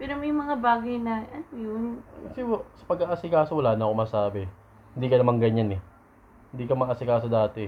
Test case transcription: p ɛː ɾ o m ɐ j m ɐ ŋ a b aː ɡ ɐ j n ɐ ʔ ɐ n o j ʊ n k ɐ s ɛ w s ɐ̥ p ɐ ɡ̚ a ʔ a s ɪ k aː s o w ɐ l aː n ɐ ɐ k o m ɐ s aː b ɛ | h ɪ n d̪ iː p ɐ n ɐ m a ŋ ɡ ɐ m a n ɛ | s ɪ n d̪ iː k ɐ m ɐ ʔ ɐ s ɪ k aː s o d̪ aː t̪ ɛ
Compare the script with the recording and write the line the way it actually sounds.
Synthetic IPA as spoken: p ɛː ɾ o m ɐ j m ɐ ŋ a b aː ɡ ɐ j n ɐ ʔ ɐ n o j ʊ n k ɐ s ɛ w s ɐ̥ p ɐ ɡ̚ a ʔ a s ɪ k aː s o w ɐ l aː n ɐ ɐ k o m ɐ s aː b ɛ | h ɪ n d̪ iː k ɐ n ɐ m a ŋ ɡ ɐ ɲ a n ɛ | h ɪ n d̪ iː k ɐ m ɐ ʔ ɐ s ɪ k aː s o d̪ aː t̪ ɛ